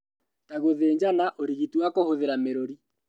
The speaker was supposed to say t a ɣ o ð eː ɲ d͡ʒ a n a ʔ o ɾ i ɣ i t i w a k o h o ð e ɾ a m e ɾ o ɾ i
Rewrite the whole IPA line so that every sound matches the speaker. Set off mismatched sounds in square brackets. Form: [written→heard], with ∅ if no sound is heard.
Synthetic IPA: t a ɣ o ð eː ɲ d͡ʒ a n a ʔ o ɾ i ɣ i t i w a k o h o ð e ɾ a m e ɾ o ɾ i